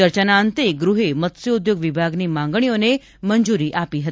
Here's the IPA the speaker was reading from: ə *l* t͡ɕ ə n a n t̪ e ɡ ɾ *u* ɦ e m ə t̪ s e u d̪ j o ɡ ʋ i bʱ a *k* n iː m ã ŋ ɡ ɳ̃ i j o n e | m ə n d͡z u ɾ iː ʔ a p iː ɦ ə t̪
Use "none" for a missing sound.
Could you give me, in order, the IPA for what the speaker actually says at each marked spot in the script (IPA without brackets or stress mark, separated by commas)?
ɾ, u, ɡ